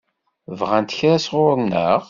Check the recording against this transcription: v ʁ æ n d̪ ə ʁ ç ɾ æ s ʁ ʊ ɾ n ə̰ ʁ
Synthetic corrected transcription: v ʁ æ n t̪ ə ç ɾ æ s ʁ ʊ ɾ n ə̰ ʁ